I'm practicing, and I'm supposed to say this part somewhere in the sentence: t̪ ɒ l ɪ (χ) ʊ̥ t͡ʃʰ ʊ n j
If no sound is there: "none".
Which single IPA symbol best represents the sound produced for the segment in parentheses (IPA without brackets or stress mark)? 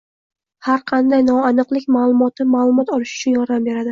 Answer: ʃ